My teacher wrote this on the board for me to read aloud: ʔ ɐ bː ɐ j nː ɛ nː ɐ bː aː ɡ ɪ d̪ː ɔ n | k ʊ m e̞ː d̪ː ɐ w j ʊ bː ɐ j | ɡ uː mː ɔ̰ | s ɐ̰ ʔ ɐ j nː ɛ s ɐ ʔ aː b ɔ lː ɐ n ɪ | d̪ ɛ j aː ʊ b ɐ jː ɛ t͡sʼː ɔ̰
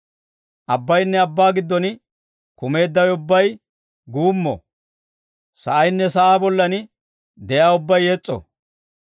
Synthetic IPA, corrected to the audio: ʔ ɐ bː ɐ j nː ɛ ɐ bː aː ɡ ɪ d̪ː ɔ n | k ʊ m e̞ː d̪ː ɐ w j ʊ bː ɐ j | ɡ uː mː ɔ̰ | s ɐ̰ ʔ ɐ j nː ɛ s ɐ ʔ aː b ɔ lː ɐ n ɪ | d̪ ɛ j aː ʊ bː ɐ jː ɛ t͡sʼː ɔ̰